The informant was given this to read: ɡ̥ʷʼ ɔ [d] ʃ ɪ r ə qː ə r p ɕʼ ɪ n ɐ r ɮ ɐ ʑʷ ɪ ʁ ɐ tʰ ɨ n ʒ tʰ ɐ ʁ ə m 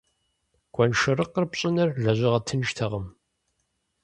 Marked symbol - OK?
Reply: no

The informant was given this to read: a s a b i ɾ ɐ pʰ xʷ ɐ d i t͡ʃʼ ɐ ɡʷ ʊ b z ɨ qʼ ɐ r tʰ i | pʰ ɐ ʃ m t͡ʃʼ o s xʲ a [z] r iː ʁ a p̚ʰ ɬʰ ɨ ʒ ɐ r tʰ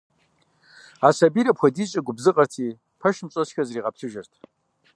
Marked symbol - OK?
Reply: yes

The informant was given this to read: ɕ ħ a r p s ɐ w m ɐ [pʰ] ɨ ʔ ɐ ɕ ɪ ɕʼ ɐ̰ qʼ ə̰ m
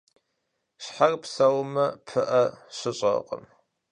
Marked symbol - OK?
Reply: yes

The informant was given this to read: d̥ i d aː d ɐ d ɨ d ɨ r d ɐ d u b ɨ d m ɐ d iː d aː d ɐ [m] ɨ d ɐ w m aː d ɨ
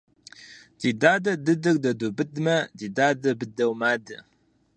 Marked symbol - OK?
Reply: no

